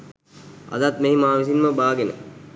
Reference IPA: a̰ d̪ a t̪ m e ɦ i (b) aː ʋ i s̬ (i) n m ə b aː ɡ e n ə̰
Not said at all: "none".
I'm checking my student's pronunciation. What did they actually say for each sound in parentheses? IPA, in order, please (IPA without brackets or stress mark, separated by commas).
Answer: m, i